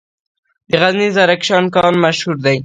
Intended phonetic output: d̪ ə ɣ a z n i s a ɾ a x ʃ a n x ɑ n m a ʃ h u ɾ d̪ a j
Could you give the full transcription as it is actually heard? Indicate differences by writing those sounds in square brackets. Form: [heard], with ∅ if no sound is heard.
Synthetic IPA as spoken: d̪ ə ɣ a z n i [z] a ɾ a [k] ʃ [ɑ] n [k] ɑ n m a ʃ h u ɾ d̪ a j

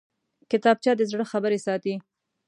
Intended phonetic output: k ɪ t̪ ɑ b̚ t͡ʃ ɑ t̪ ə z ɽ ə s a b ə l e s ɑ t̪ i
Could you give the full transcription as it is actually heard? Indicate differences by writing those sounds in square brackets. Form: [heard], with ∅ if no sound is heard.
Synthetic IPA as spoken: k ɪ t̪ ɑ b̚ t͡ʃ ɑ [d̪] ə z ɽ ə [x] a b ə [ɾ] e s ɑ t̪ i

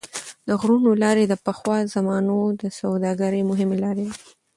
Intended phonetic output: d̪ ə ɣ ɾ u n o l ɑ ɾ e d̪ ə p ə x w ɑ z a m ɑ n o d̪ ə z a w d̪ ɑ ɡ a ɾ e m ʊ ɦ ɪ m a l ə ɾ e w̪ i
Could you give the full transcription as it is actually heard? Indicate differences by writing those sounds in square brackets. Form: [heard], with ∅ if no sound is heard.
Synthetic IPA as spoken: d̪ ə ɣ ɾ u n o l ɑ ɾ e d̪ ə p ə x w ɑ z a m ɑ n o d̪ ə [s] a w d̪ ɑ ɡ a ɾ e m ʊ ɦ ɪ m [e] l [ɑ] ɾ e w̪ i

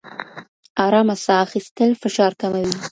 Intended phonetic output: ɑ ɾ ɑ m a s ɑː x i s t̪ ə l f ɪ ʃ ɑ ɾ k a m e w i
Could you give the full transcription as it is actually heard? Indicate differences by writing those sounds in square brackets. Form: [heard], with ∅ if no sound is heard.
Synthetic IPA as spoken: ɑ ɾ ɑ m a s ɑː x i s t̪ ə l f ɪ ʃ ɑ ɾ k a m [a] w i

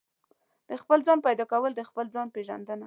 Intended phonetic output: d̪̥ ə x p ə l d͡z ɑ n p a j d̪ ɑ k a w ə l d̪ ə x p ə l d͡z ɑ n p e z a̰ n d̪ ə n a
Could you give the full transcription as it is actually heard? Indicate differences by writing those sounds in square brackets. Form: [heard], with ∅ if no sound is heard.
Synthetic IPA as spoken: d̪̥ ə x p ə l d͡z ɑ n p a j d̪ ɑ k a w ə l d̪ ə x p ə l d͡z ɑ n p e [ʒ] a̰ n d̪ ə n a

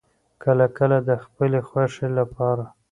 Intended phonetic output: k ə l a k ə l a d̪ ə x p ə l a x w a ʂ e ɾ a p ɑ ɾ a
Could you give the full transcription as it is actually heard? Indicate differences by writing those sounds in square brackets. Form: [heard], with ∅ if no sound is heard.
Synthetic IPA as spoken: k ə l a k ə l a d̪ ə x p ə l [e] x w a ʂ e [l] a p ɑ ɾ a

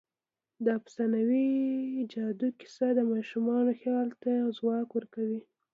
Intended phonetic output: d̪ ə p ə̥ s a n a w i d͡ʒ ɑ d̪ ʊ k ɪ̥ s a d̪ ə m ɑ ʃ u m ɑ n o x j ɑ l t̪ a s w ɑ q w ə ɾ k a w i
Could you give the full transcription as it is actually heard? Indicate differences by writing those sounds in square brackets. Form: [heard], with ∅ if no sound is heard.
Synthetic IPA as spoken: d̪ [ɑ] p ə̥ s a n a w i d͡ʒ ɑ d̪ [u] k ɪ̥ s a d̪ ə m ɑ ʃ u m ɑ n o x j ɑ l t̪ a [z] w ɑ [k] w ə ɾ k a w i

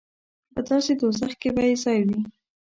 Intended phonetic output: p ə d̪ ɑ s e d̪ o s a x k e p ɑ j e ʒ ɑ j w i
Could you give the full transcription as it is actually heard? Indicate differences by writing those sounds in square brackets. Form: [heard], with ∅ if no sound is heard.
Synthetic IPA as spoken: p ə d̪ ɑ s e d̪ o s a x k e [b] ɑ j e [z] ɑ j w i

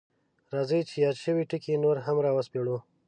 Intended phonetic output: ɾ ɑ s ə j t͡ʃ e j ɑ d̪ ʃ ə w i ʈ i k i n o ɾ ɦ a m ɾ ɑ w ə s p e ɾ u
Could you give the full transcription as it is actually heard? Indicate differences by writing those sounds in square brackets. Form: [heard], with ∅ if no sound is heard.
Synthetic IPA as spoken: ɾ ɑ [z] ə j t͡ʃ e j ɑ d̪ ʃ ə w i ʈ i k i n o ɾ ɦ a m ɾ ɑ w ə s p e [ɽ] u

